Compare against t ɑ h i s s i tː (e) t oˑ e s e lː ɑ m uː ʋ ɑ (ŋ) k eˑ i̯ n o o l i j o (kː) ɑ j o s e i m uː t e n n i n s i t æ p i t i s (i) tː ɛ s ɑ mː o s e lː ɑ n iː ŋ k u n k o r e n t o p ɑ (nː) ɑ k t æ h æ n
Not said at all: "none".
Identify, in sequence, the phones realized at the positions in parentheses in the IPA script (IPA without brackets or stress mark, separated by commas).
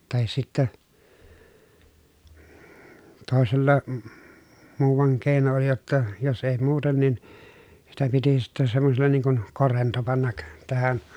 æ, ŋ, tː, i, nː